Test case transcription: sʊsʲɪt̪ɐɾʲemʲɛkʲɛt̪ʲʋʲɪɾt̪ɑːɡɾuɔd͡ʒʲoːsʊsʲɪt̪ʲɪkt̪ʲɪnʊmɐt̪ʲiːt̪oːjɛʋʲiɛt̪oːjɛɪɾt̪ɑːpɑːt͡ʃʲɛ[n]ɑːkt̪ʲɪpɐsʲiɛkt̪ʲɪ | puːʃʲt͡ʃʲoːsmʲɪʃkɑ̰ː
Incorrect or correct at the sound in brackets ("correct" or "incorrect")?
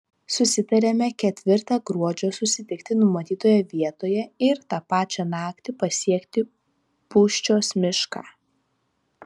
correct